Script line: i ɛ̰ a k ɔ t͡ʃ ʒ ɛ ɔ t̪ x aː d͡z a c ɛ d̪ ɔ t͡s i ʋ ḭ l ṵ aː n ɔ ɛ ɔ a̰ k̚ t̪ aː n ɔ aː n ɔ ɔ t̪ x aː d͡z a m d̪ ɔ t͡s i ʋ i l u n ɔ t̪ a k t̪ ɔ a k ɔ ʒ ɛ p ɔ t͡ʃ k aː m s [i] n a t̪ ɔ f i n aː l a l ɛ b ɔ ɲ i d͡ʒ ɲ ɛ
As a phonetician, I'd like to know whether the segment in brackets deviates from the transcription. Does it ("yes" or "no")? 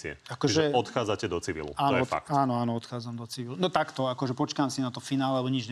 no